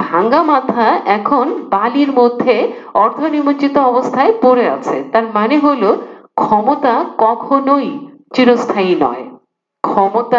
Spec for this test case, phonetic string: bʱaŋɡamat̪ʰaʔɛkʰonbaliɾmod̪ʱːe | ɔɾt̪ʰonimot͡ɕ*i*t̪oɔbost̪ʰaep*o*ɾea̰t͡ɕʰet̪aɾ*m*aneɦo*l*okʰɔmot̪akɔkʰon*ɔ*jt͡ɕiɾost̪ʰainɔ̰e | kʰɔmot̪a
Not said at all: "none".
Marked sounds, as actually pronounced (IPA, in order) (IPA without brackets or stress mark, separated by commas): i, o, m, l, o